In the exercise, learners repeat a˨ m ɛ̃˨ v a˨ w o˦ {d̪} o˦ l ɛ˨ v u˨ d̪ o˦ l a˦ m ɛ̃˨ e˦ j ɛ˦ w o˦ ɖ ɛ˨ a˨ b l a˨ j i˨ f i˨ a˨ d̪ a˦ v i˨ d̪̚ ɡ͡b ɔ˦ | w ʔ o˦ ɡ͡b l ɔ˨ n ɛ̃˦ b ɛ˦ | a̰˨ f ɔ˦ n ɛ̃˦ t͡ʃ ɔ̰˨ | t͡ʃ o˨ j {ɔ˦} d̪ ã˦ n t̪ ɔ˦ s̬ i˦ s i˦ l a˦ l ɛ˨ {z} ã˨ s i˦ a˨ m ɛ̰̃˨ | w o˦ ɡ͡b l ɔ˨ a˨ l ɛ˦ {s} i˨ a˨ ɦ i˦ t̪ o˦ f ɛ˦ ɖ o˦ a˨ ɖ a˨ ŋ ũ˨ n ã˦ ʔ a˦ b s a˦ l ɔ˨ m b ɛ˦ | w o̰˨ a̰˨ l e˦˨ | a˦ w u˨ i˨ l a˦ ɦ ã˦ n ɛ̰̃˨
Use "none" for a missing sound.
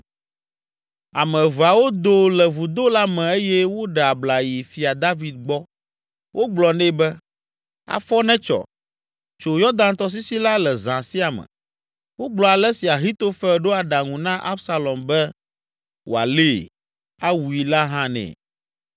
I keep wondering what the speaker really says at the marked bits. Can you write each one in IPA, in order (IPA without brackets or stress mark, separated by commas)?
d̪, ɔ˦, z, s